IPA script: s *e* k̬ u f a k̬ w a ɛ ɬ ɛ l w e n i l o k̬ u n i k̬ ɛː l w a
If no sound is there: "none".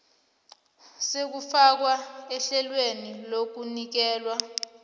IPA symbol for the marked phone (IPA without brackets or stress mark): e